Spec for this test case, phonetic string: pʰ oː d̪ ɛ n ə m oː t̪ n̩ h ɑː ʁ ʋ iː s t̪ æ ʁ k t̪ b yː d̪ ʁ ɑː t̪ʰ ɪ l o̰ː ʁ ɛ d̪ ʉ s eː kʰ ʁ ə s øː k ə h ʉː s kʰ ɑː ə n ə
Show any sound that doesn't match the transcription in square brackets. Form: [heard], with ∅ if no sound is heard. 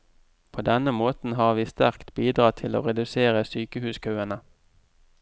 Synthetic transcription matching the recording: pʰ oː d̪ ɛ n ə m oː t̪ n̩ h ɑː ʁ ʋ iː s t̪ æ ʁ k t̪ b [iː] d̪ ʁ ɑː t̪ʰ ɪ l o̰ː ʁ ɛ d̪ ʉ s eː [∅] ʁ ə s [yː] k ə h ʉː s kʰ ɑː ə n ə